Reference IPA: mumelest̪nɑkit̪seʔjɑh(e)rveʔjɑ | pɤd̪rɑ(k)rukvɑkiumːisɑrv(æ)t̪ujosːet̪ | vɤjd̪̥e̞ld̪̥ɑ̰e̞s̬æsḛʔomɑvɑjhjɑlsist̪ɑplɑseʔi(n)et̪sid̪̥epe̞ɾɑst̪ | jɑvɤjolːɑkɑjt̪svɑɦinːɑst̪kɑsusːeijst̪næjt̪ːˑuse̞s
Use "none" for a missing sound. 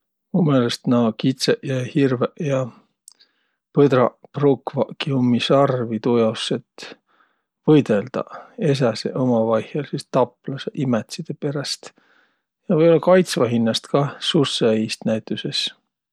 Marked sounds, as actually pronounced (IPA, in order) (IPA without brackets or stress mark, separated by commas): i, p, i, m